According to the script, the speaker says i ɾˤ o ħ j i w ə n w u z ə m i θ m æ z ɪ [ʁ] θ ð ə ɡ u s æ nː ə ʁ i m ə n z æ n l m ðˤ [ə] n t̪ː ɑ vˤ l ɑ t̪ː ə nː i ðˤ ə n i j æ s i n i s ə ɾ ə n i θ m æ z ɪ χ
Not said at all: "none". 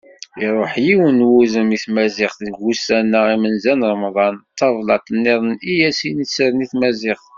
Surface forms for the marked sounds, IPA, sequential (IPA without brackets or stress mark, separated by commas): χ, ɑ